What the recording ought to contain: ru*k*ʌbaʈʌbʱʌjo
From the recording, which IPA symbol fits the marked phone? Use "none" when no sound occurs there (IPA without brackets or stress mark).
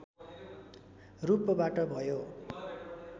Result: p